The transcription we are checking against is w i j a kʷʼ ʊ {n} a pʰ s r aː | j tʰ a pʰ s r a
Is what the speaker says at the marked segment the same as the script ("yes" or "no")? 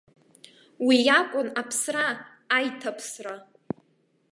yes